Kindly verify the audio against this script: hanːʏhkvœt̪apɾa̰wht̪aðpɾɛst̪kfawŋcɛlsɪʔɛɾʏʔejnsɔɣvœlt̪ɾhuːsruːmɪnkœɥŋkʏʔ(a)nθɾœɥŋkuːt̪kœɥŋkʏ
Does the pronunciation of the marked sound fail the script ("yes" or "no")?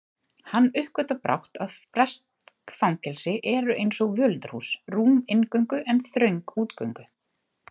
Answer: yes